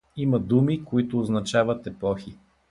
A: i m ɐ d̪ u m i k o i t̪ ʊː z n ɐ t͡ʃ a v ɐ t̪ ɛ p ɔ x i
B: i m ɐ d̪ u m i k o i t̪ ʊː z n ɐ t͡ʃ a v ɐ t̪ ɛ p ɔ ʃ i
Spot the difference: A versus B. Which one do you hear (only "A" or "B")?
A